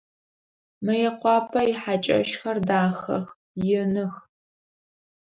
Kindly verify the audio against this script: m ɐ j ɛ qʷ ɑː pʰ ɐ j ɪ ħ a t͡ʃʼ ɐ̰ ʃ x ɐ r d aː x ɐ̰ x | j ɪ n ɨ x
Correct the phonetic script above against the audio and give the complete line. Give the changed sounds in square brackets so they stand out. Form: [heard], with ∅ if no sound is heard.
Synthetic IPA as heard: m ɐ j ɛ qʷ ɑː pʰ ɐ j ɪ ħ a t͡ʃʼ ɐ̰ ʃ x ɐ r d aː x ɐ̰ x | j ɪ n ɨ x